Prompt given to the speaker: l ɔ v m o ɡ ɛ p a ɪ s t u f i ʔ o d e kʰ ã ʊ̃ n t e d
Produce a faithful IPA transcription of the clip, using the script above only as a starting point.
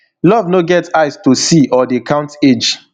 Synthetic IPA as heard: l ɔ v n o ɡ ɛ t a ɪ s t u s i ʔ ɔ d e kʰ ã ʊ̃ n t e d͡ʒ